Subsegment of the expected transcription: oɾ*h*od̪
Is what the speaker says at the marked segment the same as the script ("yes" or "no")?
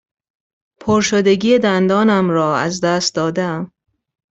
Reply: no